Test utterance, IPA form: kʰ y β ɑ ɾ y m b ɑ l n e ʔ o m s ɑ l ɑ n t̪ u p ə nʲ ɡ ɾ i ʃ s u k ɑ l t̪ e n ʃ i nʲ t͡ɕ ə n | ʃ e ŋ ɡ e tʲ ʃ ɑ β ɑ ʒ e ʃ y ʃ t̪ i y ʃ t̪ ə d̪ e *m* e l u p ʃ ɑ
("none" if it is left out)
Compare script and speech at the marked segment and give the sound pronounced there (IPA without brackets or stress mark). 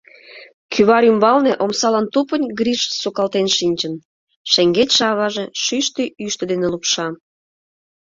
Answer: n